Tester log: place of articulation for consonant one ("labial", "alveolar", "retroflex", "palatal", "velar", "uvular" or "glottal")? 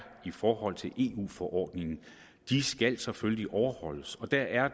labial